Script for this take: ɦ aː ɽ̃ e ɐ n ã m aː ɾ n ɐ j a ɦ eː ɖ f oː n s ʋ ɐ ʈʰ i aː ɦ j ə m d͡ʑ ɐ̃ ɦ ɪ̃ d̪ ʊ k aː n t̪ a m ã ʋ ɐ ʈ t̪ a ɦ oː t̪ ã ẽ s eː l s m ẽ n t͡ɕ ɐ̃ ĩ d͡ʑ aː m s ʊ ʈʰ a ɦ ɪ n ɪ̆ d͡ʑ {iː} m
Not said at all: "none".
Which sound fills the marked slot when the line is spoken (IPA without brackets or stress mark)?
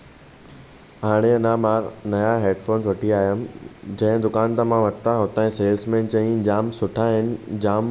aː